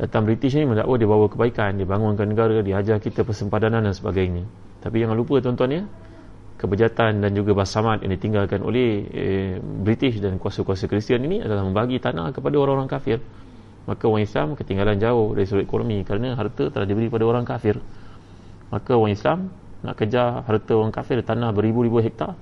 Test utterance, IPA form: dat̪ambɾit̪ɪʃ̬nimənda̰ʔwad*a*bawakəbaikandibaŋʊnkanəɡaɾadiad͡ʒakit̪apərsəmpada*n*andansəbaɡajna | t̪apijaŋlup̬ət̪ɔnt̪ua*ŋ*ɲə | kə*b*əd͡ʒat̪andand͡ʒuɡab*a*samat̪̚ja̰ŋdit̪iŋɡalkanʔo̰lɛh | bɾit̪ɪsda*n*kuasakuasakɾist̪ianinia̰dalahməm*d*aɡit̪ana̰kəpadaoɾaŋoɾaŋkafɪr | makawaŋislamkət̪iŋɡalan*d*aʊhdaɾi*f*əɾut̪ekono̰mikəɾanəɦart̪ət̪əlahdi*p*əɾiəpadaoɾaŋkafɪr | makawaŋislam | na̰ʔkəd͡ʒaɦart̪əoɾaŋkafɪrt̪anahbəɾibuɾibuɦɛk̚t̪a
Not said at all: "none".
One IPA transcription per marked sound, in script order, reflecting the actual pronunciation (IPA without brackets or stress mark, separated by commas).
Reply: i, n, n, b, a, n, b, d͡ʒ, s, b